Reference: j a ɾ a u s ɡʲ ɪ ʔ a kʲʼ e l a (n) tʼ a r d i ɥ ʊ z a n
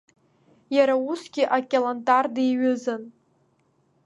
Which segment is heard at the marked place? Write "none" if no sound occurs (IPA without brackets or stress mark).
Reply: n